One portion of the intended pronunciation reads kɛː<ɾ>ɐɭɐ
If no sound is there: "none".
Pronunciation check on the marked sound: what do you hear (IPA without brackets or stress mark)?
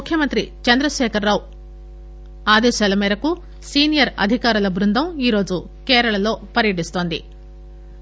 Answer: ɾ